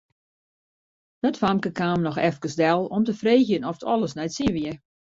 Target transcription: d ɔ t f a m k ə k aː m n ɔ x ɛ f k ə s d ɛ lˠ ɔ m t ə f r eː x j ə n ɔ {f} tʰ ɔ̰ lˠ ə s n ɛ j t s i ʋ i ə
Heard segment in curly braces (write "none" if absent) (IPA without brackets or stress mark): f